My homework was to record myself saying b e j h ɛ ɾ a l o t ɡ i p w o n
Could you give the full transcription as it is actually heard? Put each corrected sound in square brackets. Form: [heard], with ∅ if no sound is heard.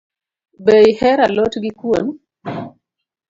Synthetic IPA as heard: b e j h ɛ ɾ a l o t ɡ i [k] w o n